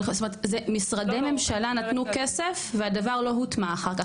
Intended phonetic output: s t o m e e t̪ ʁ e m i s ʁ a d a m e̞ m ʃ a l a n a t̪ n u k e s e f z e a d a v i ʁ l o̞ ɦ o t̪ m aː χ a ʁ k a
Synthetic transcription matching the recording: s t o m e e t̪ z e m i s ʁ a d e m e̞ m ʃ a l a n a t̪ n u k e s e f v e a d a v a ʁ l o̞ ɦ u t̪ m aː χ a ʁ k a